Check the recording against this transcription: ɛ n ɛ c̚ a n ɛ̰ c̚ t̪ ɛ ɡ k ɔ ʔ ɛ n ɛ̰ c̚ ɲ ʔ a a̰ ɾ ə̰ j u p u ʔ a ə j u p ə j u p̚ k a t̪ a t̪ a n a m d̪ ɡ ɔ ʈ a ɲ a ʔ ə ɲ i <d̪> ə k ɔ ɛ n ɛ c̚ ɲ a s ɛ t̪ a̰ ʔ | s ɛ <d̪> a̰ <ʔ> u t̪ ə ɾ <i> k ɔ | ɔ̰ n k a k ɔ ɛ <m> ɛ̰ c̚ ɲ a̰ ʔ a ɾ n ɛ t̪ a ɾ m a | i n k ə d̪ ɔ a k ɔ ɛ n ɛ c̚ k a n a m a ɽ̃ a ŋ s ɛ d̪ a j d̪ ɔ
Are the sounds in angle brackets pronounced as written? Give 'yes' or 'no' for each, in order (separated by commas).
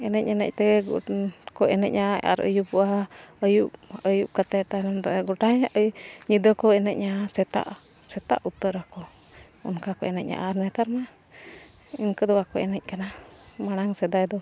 yes, no, yes, no, no